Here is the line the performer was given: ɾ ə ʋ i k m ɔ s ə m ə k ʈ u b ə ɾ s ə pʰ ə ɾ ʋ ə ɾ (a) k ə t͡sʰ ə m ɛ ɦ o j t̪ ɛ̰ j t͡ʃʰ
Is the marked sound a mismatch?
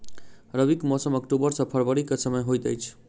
yes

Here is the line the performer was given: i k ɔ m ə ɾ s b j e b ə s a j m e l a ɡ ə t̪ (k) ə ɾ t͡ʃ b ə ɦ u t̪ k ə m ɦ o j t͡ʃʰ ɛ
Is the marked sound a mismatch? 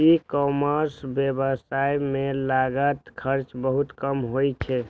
yes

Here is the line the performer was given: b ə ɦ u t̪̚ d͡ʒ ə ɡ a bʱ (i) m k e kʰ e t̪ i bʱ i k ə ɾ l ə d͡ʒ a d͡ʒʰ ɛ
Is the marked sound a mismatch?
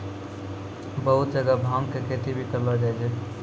yes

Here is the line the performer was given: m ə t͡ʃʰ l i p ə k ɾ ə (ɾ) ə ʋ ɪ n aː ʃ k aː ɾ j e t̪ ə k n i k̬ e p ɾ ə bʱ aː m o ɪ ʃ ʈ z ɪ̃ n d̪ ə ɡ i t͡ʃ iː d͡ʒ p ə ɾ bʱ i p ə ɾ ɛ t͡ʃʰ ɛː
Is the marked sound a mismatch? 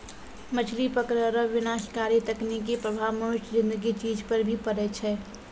no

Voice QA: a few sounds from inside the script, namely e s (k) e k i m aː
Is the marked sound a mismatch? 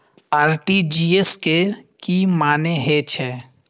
no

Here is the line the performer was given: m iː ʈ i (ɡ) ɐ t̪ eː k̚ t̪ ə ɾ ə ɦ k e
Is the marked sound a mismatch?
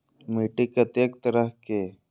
yes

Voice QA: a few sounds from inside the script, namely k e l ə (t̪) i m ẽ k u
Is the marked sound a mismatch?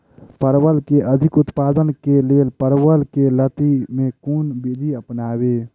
no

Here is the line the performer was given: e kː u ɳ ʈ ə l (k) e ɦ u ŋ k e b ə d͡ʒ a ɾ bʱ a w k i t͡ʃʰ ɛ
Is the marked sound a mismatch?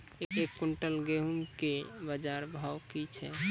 yes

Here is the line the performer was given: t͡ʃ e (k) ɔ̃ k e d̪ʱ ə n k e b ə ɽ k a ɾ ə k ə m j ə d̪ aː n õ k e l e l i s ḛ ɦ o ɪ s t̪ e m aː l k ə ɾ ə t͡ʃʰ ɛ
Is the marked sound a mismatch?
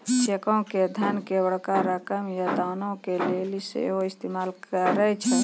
no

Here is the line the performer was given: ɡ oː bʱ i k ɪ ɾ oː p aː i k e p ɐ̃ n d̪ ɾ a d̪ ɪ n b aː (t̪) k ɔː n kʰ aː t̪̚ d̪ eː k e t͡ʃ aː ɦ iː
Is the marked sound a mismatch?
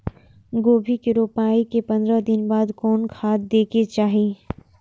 yes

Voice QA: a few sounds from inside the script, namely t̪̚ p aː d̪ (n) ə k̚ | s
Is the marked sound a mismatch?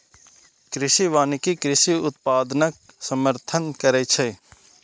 no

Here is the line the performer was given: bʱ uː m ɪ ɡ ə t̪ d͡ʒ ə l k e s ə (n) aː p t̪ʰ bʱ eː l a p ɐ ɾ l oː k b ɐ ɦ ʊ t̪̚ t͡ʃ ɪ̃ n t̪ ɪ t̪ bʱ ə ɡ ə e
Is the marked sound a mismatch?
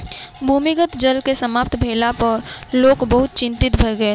yes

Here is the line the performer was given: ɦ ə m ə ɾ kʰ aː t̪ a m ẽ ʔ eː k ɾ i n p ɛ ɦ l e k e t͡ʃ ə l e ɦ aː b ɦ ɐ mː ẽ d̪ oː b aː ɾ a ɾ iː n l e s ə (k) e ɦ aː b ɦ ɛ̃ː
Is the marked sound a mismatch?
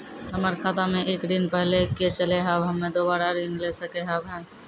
no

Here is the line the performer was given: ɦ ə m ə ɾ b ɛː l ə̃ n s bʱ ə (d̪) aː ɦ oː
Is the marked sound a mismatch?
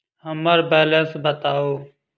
yes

